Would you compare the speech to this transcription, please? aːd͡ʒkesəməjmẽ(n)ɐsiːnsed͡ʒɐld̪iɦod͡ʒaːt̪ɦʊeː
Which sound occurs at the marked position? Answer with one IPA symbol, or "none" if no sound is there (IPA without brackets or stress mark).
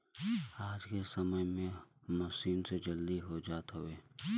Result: m